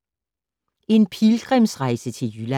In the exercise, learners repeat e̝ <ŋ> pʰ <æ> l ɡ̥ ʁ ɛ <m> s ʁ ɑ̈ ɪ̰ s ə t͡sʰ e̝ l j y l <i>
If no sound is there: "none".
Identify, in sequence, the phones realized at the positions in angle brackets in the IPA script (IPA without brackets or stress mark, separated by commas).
n, i, m, æ